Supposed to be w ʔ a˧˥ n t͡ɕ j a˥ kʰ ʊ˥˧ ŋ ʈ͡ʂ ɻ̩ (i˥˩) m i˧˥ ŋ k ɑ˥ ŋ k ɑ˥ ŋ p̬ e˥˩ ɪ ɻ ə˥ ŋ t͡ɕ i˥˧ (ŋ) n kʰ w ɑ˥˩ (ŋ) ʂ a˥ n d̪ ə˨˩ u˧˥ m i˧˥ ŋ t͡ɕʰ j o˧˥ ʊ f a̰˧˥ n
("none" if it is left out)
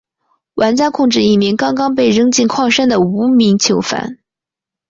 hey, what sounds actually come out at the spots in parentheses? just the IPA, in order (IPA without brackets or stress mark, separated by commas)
i˥˩, none, ŋ